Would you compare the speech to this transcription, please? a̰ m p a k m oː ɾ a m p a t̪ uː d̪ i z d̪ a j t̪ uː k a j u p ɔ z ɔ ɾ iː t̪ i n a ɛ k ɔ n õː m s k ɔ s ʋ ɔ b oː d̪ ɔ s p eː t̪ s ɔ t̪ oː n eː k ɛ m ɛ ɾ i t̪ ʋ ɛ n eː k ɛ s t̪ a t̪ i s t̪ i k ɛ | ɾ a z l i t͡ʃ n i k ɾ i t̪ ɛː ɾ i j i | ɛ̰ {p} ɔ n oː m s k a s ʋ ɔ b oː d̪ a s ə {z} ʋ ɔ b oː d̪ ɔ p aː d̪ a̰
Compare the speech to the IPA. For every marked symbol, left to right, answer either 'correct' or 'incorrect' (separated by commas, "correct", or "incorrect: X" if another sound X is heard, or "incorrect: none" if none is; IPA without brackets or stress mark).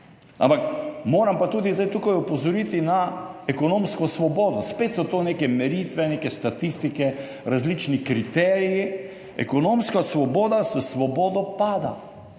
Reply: incorrect: k, incorrect: s